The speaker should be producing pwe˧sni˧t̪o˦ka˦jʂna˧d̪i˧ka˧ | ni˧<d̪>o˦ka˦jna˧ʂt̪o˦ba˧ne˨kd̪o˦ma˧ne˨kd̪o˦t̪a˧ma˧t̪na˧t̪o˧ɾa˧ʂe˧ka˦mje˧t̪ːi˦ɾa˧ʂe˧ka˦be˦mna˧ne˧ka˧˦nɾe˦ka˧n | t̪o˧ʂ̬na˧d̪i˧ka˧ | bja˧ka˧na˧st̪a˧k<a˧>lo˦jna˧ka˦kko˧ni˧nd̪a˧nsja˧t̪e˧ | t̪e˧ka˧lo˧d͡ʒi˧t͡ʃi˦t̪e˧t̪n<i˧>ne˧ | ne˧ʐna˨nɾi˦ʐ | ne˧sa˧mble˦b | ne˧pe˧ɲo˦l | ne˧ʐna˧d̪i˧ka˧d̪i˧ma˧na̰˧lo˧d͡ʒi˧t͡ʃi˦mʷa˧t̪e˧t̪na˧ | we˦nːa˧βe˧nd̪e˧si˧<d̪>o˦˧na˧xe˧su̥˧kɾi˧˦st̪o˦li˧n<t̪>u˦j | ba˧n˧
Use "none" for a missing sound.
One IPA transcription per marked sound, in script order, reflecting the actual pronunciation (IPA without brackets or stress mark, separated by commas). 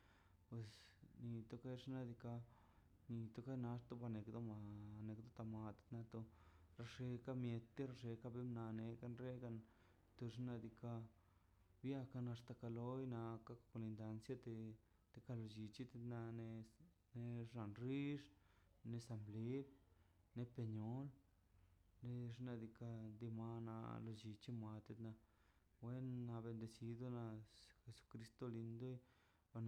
t̪, a˧, a˧, d̪, d̪